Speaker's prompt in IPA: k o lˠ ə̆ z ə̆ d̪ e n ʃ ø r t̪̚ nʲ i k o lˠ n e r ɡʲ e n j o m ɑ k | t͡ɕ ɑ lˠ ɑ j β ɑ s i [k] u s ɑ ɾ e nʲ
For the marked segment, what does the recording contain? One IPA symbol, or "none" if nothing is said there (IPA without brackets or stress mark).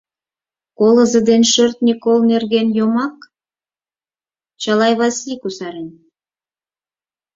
k